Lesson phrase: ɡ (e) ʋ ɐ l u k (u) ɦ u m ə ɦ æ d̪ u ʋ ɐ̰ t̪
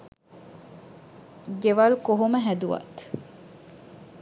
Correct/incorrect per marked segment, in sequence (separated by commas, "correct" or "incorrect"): correct, incorrect